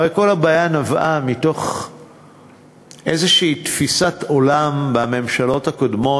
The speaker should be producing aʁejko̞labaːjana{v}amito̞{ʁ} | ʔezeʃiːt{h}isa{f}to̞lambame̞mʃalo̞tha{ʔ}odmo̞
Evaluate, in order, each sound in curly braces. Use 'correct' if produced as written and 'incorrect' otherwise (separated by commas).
correct, incorrect, incorrect, incorrect, incorrect